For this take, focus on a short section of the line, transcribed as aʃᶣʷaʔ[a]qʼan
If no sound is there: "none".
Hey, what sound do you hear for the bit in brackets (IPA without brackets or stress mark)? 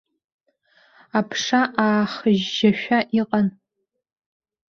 i